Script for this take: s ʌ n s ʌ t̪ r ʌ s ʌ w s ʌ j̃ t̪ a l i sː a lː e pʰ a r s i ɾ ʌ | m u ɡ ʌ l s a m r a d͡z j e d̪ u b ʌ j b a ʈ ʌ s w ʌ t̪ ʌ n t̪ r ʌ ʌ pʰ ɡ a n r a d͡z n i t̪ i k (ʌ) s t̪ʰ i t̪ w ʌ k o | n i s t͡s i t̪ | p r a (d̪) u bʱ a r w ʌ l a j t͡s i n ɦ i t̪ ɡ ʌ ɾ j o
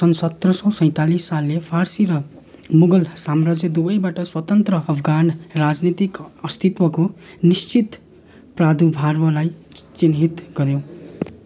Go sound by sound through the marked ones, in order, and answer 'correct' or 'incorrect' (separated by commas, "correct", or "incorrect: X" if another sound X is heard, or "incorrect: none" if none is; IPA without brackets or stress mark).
correct, correct